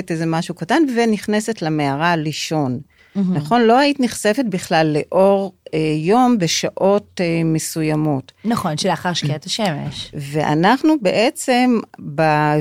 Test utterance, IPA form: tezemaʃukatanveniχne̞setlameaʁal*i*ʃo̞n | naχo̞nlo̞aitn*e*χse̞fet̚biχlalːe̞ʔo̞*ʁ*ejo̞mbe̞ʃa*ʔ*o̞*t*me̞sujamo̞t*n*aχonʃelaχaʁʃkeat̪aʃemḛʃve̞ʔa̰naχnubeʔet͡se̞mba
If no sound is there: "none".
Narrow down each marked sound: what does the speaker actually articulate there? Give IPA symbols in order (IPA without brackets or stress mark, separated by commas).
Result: i, i, ʁ, ʔ, t, n